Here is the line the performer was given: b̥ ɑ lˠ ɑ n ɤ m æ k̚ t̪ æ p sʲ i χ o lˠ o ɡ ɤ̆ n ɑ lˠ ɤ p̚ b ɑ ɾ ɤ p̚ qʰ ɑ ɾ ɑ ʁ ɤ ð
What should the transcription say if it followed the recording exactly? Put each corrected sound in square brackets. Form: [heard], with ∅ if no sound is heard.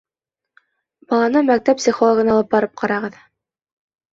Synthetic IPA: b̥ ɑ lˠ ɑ n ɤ m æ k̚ t̪ æ p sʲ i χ o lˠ o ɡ ɤ̆ n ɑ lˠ ɤ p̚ b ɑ ɾ ɤ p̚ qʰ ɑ ɾ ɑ ʁ ɤ ð